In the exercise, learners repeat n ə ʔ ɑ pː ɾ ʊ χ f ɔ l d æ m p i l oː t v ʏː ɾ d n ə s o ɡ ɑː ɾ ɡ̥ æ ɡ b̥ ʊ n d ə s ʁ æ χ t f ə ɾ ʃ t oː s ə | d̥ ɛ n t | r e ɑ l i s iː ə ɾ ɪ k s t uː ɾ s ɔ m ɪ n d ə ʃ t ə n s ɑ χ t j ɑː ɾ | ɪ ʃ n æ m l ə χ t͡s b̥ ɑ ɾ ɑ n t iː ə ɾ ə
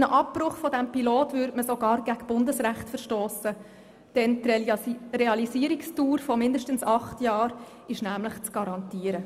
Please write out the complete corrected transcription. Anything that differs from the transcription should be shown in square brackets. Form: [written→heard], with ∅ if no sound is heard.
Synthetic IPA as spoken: n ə ʔ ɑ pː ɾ ʊ χ f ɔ [l→∅] d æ m p i l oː t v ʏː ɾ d [n→m] ə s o ɡ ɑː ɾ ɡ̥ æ ɡ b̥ ʊ n d ə s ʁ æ χ t f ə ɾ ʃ t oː s ə | d̥ ɛ n t | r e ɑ l i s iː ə ɾ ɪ k s t uː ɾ [s→f] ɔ m ɪ n d ə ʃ t ə n s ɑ χ t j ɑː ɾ | ɪ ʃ n æ m l ə χ t͡s [b̥→ɡ̥] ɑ ɾ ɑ n t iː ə ɾ ə